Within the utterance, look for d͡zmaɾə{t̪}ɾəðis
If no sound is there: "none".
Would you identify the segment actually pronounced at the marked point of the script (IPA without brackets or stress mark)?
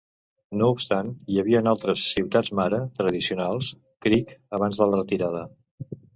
t̪